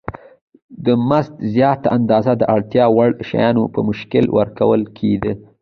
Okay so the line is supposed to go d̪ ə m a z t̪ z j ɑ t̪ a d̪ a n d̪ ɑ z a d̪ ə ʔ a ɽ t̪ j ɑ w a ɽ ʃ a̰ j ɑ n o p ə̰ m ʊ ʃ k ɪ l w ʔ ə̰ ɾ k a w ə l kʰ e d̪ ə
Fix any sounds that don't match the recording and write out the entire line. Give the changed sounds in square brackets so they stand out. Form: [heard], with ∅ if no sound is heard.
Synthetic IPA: d̪ ə m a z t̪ z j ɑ t̪ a [∅] a n d̪ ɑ z a d̪ ə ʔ a ɽ t̪ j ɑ w a ɽ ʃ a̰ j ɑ n o p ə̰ m ʊ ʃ k ɪ l w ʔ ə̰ ɾ k a w ə l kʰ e d̪ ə